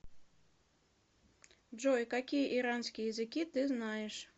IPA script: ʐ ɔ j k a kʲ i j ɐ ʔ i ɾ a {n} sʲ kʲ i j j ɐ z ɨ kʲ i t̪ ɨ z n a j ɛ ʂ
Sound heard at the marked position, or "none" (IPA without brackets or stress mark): n